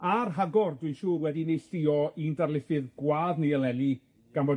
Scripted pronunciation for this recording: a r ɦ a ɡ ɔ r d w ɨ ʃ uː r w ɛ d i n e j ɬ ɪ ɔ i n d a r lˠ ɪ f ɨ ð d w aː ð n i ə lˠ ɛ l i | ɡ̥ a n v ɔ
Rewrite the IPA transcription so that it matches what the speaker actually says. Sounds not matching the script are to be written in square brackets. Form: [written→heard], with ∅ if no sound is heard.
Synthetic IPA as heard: a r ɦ a ɡ ɔ r d w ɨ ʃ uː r w ɛ d i n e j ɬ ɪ ɔ i n d a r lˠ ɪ f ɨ ð [d→ɡ] w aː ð n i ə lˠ ɛ l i | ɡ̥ a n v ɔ